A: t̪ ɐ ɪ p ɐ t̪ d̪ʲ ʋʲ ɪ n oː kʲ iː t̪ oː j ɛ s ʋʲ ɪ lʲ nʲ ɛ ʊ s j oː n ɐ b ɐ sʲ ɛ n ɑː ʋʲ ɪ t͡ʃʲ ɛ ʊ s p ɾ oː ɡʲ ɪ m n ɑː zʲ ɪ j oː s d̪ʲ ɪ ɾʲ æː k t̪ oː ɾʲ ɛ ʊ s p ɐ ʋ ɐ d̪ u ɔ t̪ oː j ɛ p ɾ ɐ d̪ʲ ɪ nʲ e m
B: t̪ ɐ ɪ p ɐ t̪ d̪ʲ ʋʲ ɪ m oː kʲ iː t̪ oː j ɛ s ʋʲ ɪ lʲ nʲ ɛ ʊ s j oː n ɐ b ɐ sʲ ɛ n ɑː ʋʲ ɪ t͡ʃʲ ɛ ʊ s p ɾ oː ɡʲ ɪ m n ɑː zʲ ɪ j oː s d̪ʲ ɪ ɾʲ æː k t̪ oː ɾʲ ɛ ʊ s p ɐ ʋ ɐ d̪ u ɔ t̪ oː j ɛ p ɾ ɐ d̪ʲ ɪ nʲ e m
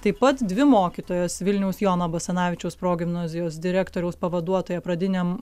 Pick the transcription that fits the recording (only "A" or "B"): B